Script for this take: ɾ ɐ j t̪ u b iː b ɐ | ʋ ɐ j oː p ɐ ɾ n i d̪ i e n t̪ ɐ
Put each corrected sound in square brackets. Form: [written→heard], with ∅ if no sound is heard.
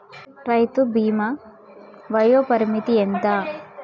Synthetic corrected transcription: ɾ ɐ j t̪ u b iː [b→m] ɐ | ʋ ɐ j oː p ɐ ɾ [n→m] i [d̪→t̪] i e n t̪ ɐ